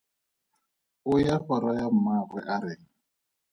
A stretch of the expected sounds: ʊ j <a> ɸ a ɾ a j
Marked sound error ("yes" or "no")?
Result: no